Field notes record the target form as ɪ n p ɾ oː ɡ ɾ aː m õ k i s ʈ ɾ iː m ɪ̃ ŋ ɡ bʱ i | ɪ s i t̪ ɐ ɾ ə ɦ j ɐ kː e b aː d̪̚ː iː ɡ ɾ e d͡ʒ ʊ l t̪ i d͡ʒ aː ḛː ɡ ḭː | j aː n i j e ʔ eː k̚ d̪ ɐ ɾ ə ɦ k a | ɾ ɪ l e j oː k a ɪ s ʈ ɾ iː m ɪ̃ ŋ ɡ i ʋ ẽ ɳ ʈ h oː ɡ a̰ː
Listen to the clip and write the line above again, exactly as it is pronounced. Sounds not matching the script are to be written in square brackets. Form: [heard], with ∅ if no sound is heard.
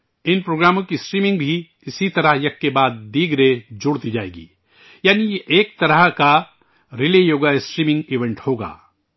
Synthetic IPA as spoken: ɪ n p ɾ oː ɡ ɾ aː m õ k i s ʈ ɾ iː m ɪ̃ ŋ ɡ bʱ i | ɪ s i t̪ ɐ ɾ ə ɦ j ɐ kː e b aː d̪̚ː iː ɡ ɾ e d͡ʒ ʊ [ɽ] t̪ i d͡ʒ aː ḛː ɡ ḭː | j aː n i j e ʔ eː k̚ [t̪] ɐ ɾ ə ɦ k a | ɾ ɪ l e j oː [ɡ] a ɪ s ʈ ɾ iː m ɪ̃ ŋ ɡ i ʋ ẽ ɳ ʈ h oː ɡ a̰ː